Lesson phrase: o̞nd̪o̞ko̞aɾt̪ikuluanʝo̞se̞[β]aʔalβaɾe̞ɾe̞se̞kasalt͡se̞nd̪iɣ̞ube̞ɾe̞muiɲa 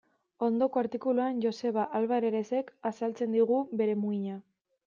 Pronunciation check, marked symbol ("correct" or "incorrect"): correct